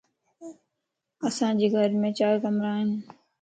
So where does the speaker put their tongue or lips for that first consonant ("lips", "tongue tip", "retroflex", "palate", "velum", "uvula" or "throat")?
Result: tongue tip